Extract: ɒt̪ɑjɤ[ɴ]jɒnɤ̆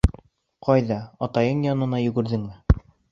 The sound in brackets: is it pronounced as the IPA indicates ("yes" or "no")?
yes